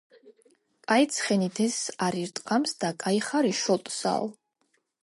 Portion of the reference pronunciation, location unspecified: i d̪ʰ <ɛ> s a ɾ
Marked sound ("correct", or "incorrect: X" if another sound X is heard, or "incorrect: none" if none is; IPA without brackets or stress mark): correct